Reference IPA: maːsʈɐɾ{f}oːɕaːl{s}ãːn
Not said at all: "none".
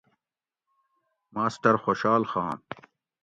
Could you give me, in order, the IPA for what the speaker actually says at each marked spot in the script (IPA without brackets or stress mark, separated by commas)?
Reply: x, x